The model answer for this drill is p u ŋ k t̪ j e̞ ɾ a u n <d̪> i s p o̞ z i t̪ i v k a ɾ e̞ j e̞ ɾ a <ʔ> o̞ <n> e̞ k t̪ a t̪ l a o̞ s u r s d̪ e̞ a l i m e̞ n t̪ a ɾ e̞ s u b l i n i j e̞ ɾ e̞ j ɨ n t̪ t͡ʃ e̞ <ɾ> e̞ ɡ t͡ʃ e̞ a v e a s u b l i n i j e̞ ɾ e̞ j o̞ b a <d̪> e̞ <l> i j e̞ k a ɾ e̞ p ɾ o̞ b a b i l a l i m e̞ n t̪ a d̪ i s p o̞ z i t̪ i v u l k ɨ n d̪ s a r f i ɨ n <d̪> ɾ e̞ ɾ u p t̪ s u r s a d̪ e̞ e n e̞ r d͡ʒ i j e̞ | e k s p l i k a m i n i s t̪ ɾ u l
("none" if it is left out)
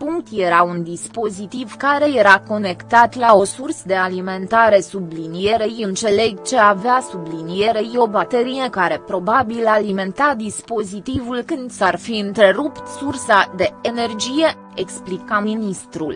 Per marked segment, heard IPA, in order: d̪, k, n, l, t̪, ɾ, t̪

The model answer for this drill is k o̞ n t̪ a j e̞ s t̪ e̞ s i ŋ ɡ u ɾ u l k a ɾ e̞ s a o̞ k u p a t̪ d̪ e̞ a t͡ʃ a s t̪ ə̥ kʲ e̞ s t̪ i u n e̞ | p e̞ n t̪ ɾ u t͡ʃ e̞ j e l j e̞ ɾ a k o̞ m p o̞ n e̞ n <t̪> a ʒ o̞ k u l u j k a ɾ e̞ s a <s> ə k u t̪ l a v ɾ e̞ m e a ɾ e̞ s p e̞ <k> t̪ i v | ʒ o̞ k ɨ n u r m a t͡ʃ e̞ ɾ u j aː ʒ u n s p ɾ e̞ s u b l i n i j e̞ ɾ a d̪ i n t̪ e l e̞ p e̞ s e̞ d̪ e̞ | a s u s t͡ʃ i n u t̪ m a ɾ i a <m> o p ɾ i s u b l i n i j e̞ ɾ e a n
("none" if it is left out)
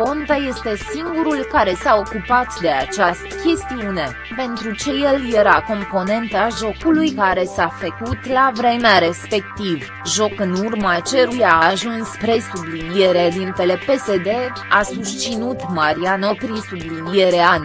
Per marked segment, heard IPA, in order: t̪, f, k, n

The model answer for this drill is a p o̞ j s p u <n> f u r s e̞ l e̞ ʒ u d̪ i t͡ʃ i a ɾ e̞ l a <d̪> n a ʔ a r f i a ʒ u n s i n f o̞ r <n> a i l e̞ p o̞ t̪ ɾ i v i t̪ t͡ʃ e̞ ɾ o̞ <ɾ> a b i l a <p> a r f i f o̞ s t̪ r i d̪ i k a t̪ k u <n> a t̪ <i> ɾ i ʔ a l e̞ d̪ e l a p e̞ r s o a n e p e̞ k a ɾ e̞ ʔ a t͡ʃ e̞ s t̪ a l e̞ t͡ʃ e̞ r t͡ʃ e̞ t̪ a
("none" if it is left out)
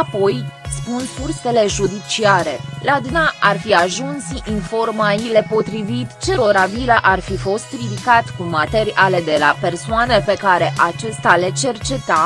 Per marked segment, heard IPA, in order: n, d̪, m, ɾ, ʔ, m, e

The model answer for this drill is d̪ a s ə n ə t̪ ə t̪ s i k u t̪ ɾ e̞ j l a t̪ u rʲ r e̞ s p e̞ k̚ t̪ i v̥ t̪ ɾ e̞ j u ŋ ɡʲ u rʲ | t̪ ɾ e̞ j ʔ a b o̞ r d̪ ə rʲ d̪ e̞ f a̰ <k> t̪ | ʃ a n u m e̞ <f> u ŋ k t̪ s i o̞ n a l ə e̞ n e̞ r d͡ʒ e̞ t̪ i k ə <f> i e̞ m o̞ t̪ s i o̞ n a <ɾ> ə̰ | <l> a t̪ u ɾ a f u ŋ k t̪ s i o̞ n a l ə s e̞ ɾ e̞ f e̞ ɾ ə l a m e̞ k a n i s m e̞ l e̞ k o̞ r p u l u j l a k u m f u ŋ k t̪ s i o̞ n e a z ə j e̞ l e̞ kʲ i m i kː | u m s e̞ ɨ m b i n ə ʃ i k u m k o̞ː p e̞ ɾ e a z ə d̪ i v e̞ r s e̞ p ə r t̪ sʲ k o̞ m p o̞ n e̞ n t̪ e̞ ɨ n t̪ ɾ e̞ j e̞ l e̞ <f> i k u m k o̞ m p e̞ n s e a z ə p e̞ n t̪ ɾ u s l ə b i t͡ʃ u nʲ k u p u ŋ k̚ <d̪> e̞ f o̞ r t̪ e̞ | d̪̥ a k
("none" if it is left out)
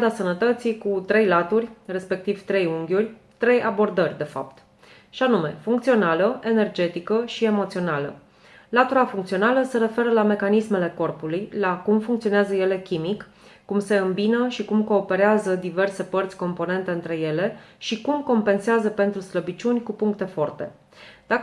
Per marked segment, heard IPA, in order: p, f, ʃ, l, l, ʃ, t̪

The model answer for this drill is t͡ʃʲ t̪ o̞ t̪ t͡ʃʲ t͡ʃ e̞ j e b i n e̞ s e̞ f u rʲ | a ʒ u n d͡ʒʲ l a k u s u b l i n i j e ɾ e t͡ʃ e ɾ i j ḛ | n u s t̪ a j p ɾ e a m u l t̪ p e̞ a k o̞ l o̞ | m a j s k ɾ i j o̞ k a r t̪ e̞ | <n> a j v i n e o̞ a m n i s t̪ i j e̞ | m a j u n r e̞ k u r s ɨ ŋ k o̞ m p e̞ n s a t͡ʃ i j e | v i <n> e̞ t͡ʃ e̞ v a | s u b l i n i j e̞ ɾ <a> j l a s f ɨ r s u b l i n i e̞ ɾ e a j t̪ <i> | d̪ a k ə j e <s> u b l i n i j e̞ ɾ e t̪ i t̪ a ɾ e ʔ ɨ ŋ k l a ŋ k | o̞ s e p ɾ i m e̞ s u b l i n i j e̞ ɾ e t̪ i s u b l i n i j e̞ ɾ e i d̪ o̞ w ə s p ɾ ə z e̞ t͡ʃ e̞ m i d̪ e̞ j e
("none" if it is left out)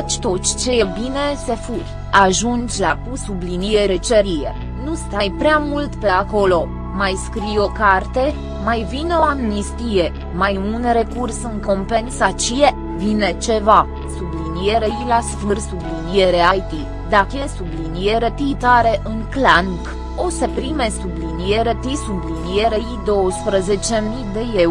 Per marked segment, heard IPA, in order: m, n, e, i, s

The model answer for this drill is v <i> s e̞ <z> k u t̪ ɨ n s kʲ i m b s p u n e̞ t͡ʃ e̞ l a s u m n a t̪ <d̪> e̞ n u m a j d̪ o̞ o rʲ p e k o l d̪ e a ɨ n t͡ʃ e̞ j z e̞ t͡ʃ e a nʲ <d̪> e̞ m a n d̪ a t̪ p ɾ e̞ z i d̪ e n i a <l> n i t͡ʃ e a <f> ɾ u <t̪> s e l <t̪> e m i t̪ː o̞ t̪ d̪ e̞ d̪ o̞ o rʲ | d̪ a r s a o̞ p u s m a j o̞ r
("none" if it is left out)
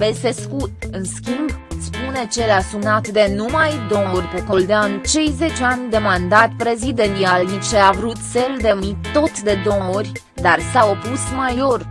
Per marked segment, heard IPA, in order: e, s, d̪, d̪, l, v, t̪, d̪

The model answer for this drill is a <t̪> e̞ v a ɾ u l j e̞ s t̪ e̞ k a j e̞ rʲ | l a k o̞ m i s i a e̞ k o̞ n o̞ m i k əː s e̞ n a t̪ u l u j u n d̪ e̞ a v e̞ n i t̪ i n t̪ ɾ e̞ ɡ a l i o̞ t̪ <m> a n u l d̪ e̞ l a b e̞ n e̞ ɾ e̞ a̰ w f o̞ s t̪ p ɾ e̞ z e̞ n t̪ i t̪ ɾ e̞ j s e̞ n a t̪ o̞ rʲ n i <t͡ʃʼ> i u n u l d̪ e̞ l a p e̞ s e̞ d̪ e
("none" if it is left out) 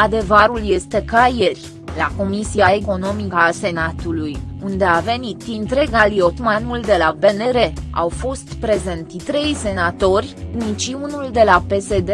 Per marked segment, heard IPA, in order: d̪, m, t͡ʃ

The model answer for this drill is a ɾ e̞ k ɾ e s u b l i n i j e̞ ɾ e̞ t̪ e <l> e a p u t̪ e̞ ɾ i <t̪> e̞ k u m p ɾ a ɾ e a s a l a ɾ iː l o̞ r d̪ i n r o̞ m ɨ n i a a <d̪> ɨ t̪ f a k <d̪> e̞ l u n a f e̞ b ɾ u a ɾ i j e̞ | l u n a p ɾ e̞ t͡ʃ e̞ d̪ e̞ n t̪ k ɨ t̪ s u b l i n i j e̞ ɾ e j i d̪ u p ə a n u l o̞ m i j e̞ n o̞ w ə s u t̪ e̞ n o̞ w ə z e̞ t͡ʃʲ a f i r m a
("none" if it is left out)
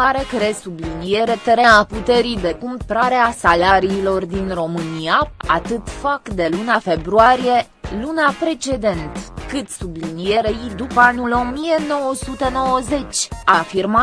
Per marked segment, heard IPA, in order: ɾ, d̪, t̪, d̪

